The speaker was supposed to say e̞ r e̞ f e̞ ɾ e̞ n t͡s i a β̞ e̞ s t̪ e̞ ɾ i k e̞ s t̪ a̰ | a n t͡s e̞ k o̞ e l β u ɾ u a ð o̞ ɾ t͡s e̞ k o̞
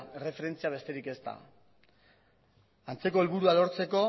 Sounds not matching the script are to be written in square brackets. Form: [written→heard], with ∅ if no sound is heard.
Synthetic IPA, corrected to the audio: e̞ r e̞ f e̞ ɾ e̞ n t͡s i a β̞ e̞ s t̪ e̞ ɾ i k e̞ s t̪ a̰ | a n t͡s e̞ k o̞ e l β u ɾ u a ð o̞ ɾ t͡s e̞ k o̞